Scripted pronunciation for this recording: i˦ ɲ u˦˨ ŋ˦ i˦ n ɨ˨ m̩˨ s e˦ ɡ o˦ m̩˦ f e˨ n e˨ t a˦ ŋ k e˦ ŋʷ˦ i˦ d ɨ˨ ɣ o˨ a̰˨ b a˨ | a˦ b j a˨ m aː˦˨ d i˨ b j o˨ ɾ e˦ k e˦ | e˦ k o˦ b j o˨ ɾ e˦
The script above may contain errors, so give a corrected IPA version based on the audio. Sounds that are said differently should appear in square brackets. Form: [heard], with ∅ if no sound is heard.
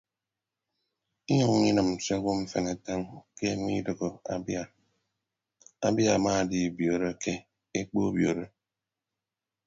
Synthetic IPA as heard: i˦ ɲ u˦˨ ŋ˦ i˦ n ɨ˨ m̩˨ s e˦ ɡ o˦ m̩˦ f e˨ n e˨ t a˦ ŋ k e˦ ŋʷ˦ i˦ d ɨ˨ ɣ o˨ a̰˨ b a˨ | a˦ b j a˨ m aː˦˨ d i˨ b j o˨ ɾ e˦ k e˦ | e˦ [k͡p] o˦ b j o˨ ɾ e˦

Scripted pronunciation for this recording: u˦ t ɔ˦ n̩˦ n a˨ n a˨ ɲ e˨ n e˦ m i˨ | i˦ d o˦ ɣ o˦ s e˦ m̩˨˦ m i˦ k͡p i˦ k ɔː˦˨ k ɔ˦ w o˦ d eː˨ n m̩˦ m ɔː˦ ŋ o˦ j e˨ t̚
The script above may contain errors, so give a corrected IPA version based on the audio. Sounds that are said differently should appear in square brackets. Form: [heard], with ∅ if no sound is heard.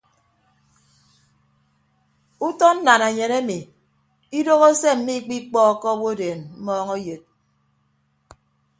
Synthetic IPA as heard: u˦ t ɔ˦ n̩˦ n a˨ n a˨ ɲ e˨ n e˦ m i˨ | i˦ d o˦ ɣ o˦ s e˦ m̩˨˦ m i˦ k͡p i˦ [k͡p] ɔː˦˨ k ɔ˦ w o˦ d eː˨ n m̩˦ m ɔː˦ ŋ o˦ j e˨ t̚

